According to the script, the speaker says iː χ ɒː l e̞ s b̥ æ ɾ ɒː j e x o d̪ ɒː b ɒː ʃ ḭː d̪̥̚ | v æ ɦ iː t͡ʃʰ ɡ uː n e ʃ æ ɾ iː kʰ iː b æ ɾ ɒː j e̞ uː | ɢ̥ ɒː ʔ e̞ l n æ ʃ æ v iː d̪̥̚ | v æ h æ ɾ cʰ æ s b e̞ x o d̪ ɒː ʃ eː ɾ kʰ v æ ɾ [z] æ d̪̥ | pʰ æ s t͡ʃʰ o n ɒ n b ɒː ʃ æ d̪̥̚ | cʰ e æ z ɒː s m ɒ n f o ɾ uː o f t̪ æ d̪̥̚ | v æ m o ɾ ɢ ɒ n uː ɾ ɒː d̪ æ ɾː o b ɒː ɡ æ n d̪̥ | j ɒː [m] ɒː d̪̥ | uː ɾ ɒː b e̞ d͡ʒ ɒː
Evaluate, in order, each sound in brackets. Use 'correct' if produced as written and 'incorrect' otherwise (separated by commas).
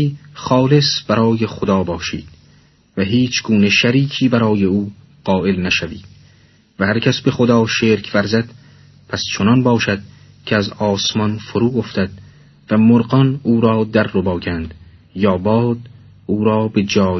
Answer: correct, incorrect